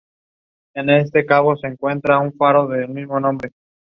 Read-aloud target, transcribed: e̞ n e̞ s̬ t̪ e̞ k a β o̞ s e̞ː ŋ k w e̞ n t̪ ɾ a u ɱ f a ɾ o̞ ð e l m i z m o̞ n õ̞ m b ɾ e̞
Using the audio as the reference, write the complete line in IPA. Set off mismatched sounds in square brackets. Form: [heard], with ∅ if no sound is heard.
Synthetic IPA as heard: e̞ n e̞ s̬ t̪ e̞ k a β o̞ s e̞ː ŋ k w e̞ n t̪ ɾ a u ɱ f a ɾ o̞ ð e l m i z m o̞ n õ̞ m b ɾ e̞

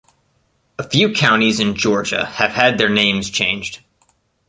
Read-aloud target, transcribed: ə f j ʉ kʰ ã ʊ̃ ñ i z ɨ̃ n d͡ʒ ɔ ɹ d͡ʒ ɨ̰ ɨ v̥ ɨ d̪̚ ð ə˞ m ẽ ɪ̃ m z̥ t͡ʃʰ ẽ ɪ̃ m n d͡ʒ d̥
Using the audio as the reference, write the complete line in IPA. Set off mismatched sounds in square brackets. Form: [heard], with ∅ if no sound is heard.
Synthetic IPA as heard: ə f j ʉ kʰ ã ʊ̃ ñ i z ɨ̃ n d͡ʒ ɔ ɹ d͡ʒ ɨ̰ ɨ v̥ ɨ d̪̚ ð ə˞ [n] ẽ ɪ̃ m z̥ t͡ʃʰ ẽ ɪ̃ [∅] n d͡ʒ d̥

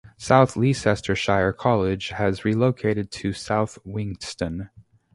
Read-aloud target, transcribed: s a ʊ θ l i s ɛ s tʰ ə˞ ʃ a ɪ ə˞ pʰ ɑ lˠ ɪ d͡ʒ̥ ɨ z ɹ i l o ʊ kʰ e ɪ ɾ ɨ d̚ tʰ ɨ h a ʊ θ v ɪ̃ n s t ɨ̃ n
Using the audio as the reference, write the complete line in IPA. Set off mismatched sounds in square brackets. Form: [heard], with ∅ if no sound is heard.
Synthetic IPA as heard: s a ʊ θ l i s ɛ s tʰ ə˞ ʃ a ɪ ə˞ [kʰ] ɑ lˠ ɪ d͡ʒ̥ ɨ z ɹ i l o ʊ kʰ e ɪ ɾ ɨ d̚ tʰ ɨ [s] a ʊ θ [w] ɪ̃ [ŋ] s t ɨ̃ n

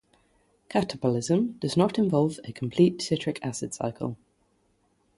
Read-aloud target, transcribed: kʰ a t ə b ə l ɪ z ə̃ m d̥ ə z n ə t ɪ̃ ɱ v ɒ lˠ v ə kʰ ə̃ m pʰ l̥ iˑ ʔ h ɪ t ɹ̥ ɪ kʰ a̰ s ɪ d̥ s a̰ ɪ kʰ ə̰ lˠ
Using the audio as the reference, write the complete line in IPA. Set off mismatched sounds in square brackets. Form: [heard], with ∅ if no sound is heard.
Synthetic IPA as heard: kʰ a t ə b ə l ɪ z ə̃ m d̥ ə z n ə t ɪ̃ ɱ v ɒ lˠ v ə kʰ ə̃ m pʰ l̥ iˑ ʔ [s] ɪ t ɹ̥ ɪ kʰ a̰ s ɪ d̥ s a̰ ɪ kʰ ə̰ lˠ

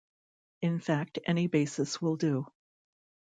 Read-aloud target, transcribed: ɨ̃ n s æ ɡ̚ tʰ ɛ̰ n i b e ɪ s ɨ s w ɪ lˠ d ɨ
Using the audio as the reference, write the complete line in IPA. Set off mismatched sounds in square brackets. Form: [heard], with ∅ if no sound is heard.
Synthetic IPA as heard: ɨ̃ n [f] æ [k̚] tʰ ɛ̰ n i b e ɪ s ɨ s w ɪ lˠ d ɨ

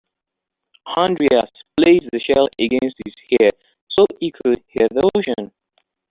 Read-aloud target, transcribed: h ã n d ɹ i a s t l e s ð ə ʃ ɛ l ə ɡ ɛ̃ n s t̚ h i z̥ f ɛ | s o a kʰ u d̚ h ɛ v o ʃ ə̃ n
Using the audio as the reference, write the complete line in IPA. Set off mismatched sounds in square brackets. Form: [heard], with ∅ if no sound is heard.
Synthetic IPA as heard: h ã n d ɹ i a s [p] l e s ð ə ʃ ɛ l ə ɡ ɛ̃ n s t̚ h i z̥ [h] ɛ | s o [i] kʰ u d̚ h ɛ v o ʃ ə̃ n

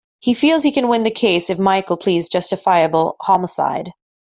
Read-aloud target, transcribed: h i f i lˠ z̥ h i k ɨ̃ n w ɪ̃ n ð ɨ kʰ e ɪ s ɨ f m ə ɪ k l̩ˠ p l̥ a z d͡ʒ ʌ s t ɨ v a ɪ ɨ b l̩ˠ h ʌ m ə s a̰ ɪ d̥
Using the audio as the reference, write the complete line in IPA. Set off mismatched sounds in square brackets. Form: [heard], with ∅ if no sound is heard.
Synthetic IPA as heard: h i f i lˠ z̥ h i k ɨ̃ n w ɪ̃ n ð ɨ kʰ e ɪ s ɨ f m [a] ɪ k l̩ˠ [pʰ] l̥ [i] z d͡ʒ ʌ s t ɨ [f] a ɪ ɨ b l̩ˠ h [ɑ] m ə s a̰ ɪ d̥

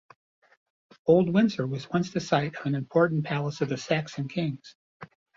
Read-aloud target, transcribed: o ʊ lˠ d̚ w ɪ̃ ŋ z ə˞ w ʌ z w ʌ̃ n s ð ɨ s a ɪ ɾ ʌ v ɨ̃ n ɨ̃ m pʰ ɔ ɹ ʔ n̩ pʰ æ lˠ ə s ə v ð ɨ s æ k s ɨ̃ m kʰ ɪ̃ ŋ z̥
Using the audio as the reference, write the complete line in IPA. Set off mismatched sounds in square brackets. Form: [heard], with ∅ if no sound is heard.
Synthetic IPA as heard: o ʊ lˠ d̚ w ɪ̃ [n] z ə˞ w ʌ z w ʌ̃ n s ð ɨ s a ɪ ɾ ʌ v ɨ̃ n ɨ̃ m pʰ ɔ ɹ ʔ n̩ pʰ æ lˠ ə s [ʌ] v ð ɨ s æ k s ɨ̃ [n] kʰ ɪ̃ ŋ z̥

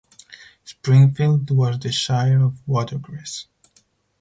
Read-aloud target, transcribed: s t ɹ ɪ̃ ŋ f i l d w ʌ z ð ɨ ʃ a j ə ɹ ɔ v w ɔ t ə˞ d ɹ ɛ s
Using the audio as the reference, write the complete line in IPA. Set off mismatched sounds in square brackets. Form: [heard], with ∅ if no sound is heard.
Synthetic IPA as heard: s [p] ɹ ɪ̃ ŋ f i l d w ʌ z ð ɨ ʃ a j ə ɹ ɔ v w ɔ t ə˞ [ɡ] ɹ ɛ s

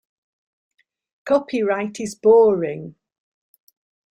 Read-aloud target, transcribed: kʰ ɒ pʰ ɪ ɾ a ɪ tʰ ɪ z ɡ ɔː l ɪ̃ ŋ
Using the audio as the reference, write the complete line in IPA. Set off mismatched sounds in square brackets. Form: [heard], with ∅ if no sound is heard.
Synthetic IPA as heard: kʰ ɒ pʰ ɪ [ɹ] a ɪ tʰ ɪ z [b] ɔː [ɹ] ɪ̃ ŋ

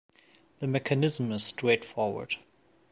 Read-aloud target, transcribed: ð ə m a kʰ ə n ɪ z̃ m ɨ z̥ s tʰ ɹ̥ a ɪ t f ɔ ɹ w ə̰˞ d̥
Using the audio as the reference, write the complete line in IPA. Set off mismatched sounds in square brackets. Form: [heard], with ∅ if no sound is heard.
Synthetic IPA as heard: ð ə m [ɛ] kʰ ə n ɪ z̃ m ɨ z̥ s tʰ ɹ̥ [e] ɪ t f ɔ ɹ w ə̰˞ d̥

